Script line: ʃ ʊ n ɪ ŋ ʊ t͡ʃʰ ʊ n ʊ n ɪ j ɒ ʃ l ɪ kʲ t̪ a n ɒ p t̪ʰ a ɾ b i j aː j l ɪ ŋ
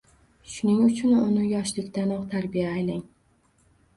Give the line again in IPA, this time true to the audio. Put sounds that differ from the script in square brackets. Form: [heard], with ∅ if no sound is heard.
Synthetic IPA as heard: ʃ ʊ n ɪ ŋ ʊ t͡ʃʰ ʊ n ʊ n ɪ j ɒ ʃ l ɪ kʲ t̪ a n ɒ [q] t̪ʰ a ɾ b i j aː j l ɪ ŋ